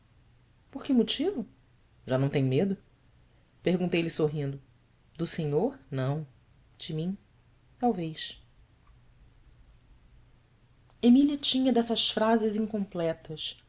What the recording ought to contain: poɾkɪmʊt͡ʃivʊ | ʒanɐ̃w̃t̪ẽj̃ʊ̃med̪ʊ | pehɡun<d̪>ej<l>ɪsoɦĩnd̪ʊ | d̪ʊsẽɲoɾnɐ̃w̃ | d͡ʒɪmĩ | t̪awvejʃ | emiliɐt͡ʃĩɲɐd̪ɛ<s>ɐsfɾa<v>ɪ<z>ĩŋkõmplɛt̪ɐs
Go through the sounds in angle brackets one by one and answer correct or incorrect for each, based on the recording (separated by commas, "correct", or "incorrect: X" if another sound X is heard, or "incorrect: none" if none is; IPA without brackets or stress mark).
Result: incorrect: t̪, correct, correct, incorrect: z, correct